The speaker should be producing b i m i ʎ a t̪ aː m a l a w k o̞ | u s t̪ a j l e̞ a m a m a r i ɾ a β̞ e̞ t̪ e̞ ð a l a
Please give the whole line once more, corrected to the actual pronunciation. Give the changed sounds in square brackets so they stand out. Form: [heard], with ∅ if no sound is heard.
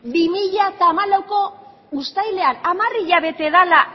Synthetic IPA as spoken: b i m i ʎ a t̪ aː m a l a w k o̞ | u s t̪ a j l e̞ a [n] a m a r i [ʎ] a β̞ e̞ t̪ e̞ ð a l a